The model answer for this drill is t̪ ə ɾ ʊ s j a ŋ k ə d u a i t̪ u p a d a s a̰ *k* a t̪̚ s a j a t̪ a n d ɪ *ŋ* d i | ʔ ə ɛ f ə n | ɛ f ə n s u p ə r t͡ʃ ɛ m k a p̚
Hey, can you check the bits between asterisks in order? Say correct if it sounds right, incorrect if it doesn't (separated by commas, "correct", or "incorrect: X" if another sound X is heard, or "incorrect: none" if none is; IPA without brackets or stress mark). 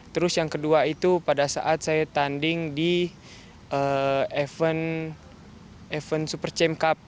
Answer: incorrect: ʔ, correct